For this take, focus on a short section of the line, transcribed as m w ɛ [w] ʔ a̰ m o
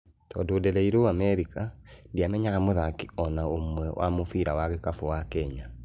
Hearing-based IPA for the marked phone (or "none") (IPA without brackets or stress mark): w